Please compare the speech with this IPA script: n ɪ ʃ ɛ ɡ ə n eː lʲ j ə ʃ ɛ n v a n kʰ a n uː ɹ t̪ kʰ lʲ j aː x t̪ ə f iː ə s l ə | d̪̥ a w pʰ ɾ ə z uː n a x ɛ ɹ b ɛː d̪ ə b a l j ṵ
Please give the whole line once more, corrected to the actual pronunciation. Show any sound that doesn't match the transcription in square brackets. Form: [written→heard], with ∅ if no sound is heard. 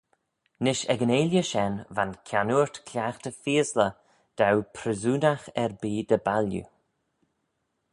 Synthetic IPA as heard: n ɪ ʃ ɛ ɡ ə n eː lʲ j ə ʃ ɛ n v a n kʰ a n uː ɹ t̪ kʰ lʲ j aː x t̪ ə f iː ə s l ə | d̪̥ a w pʰ ɾ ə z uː n a x ɛ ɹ b [ɛː→iː] d̪ ə b a l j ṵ